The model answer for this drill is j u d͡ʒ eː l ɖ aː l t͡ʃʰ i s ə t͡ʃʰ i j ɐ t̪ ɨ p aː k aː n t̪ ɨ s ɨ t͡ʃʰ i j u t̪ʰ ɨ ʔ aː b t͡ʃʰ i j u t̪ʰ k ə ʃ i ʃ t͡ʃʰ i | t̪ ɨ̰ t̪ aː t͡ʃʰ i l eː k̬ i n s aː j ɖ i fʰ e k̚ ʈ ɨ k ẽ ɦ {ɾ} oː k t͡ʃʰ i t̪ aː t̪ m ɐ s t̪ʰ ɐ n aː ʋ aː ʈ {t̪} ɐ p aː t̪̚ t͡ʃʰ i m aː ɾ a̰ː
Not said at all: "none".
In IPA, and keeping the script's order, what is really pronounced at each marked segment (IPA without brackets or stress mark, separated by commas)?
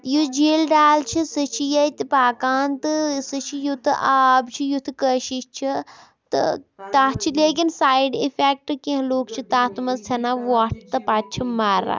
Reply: l, t̪